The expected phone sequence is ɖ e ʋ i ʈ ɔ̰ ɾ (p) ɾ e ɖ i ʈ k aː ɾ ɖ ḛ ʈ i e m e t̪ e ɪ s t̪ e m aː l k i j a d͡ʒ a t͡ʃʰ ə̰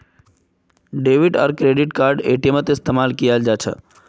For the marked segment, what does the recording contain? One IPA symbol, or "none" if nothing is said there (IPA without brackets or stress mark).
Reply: k